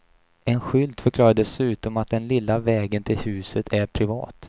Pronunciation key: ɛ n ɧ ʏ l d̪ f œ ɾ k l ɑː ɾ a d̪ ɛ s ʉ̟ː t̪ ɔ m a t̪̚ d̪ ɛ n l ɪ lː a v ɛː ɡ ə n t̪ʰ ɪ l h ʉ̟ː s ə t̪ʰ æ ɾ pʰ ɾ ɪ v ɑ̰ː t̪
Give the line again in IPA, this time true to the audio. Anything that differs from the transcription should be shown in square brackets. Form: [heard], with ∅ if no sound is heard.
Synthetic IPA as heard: ɛ n ɧ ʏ l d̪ f œ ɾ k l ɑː ɾ a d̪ ɛ s ʉ̟ː t̪ ɔ m a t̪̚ d̪ ɛ n l ɪ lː a v ɛː ɡ ə n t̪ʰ ɪ l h ʉ̟ː s ə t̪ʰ æ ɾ pʰ ɾ ɪ v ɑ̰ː t̪

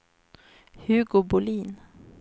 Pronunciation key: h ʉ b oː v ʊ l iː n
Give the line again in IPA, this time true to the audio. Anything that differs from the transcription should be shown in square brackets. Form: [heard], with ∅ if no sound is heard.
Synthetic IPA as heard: h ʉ [ɡ] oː [b] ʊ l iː n

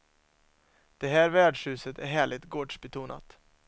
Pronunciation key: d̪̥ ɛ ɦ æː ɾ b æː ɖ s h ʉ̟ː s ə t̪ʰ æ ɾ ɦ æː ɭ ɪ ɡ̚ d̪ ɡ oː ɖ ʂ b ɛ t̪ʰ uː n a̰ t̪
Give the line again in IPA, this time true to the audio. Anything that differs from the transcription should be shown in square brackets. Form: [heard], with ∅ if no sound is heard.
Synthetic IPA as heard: d̪̥ ɛ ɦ æː ɾ [v] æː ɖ [ʂ] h ʉ̟ː s ə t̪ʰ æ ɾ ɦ æː ɭ ɪ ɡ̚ [t̪] ɡ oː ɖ ʂ b ɛ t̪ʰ uː n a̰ t̪

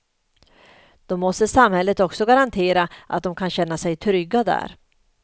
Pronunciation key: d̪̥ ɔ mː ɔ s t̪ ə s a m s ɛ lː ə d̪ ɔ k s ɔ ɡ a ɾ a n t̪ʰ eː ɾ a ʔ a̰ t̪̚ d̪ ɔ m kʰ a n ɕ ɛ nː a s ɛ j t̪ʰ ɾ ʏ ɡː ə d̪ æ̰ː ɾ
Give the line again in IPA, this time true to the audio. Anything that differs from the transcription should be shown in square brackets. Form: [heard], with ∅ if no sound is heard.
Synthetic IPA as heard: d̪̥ ɔ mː ɔ s t̪ ə s a m [h] ɛ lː ə [t̪] ɔ k s ɔ ɡ a ɾ a n t̪ʰ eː ɾ a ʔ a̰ t̪̚ d̪ ɔ m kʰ a n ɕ ɛ nː a s ɛ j t̪ʰ ɾ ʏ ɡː [a] d̪ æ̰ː ɾ

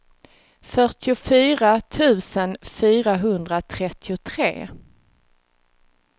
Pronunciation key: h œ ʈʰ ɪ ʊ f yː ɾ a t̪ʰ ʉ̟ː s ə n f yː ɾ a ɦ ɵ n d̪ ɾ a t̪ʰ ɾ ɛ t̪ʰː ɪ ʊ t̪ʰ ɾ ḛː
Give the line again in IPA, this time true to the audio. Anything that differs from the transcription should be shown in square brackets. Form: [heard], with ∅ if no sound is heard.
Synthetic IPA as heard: [f] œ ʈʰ ɪ ʊ f yː ɾ a t̪ʰ ʉ̟ː s ə n f yː ɾ a ɦ ɵ n d̪ ɾ a t̪ʰ ɾ ɛ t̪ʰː ɪ ʊ t̪ʰ ɾ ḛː

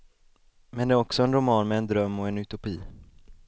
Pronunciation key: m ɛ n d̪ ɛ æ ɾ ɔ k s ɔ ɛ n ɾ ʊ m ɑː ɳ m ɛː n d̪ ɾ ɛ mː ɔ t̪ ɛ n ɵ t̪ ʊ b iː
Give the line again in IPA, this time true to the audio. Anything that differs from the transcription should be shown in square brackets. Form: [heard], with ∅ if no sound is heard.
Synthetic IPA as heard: m ɛ n d̪ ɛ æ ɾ ɔ k s ɔ ɛ n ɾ ʊ m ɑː [n] m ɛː n d̪ ɾ [œ] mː ɔ [∅] ɛ n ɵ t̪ ʊ [p] iː

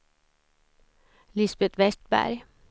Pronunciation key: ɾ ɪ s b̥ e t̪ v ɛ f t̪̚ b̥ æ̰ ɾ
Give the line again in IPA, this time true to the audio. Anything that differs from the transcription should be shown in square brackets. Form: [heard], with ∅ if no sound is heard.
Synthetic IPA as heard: [l] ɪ s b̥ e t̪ [ʋ] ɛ [s] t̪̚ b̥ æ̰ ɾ

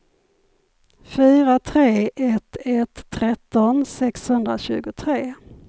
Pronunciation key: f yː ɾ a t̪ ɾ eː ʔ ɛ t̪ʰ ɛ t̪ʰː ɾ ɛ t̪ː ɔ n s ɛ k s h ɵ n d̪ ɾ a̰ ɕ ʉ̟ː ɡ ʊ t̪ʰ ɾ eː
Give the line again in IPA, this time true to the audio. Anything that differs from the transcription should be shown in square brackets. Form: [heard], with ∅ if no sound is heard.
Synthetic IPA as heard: f yː ɾ a [t̪ʰ] ɾ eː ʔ ɛ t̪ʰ ɛ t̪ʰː ɾ ɛ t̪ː ɔ n s ɛ k s h ɵ n d̪ ɾ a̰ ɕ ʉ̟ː ɡ ʊ t̪ʰ ɾ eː

